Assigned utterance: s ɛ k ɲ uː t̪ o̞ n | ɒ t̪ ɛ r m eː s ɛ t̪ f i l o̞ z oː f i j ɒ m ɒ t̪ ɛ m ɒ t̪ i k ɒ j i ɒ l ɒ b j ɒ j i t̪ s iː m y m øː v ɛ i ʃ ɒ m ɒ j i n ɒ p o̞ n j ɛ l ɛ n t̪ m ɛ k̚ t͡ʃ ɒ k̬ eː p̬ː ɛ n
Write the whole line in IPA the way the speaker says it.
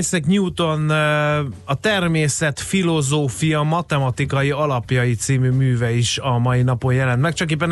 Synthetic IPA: s ɛ k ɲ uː t̪ o̞ n | ɒ t̪ ɛ r m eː s ɛ t̪ f i l o̞ z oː f i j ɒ m ɒ t̪ ɛ m ɒ t̪ i k ɒ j i ɒ l ɒ p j ɒ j i t̪ s iː m y m yː v ɛ i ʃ ɒ m ɒ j i n ɒ p o̞ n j ɛ l ɛ n t̪ m ɛ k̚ t͡ʃ ɒ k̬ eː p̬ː ɛ n